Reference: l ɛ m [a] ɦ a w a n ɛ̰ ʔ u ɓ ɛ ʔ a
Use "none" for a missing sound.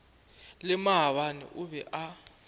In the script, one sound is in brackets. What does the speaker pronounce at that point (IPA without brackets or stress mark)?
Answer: a